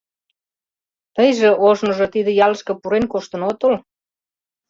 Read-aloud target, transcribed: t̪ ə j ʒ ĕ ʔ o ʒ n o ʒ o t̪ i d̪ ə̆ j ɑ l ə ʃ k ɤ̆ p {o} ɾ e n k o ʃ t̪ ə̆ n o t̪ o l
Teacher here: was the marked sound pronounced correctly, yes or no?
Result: no